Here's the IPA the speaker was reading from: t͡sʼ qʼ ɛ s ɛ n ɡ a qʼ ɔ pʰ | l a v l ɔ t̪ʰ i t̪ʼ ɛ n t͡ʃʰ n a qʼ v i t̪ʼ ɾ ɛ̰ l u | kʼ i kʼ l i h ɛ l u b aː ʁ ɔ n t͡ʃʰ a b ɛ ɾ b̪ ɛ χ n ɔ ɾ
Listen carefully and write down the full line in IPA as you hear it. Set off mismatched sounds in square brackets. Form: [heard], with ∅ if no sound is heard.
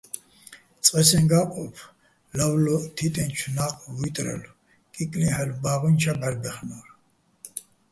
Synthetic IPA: t͡sʼ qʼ ɛ s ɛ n ɡ a qʼ ɔ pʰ | l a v l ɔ t̪ʰ i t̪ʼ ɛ n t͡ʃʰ n a qʼ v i t̪ʼ ɾ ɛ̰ l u | kʼ i kʼ l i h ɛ l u b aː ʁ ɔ n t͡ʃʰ a b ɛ ɾ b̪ ɛ χ n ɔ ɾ